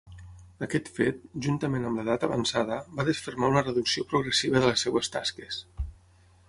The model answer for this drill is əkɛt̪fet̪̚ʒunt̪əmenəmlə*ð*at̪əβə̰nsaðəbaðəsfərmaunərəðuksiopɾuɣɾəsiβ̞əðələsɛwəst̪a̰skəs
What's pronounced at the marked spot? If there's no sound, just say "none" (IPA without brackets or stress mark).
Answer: ð